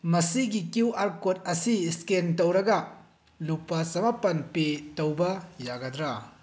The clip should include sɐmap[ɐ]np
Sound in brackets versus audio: correct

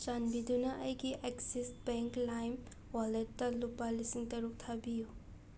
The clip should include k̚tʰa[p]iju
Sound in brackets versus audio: incorrect: b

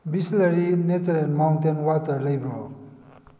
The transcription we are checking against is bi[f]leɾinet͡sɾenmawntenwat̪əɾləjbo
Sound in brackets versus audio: incorrect: s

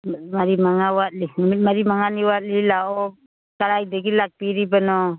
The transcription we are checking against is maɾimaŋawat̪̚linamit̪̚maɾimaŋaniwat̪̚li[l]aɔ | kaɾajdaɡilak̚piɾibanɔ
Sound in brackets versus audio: correct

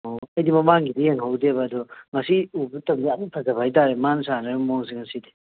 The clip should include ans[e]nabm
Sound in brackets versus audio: incorrect: a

